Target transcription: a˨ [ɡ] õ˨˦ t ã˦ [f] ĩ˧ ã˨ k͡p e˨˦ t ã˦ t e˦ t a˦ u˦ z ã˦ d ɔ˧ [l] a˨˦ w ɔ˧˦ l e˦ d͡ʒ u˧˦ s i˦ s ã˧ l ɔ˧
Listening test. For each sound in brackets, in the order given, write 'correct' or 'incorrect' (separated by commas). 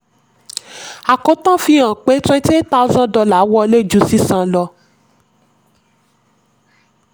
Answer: incorrect, correct, correct